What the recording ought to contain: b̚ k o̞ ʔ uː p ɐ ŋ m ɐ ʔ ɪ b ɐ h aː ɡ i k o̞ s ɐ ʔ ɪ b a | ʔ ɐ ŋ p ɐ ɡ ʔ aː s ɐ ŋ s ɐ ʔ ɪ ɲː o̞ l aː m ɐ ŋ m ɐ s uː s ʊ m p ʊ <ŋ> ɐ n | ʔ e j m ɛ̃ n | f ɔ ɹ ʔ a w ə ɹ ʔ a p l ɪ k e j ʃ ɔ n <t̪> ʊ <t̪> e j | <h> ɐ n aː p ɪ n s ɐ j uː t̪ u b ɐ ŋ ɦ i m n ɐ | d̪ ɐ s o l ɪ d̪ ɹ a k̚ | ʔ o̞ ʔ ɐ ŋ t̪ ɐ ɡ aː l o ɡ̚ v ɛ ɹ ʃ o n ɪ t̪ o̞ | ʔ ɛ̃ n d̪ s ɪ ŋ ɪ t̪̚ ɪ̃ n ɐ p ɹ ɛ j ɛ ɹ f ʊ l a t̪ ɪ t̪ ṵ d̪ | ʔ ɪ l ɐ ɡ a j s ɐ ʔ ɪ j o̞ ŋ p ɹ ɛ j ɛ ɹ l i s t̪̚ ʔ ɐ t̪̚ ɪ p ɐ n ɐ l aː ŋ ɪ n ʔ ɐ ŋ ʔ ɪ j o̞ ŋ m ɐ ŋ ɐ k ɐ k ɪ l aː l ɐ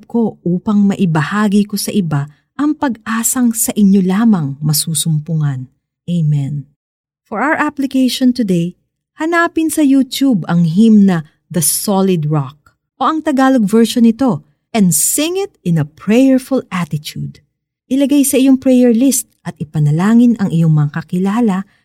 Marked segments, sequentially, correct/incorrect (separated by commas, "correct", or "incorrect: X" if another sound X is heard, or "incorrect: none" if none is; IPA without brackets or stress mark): correct, correct, incorrect: d̪, correct